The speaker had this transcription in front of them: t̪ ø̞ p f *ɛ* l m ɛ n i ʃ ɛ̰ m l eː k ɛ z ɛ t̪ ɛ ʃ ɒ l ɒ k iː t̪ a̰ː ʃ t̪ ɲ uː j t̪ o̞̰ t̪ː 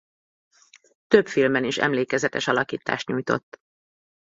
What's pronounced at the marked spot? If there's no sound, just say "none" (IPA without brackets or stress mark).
i